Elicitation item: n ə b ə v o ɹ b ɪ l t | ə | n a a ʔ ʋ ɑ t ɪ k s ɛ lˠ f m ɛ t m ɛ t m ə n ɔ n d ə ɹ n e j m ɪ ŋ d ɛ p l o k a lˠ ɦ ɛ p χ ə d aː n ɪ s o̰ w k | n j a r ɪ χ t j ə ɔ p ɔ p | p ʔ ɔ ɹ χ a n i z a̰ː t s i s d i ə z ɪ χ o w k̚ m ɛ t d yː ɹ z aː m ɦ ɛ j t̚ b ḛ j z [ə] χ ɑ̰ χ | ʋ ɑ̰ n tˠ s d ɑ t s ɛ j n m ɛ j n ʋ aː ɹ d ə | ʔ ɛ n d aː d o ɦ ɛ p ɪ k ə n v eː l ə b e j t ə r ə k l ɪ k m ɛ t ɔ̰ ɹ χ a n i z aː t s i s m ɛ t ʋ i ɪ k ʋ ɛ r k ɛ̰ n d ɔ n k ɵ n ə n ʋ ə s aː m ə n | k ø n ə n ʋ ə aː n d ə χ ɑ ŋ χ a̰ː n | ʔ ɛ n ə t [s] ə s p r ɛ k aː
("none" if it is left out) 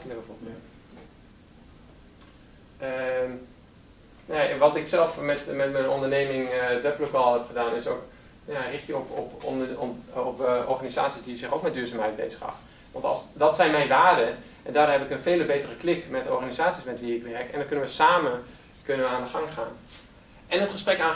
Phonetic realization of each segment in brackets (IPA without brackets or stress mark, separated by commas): ə, χ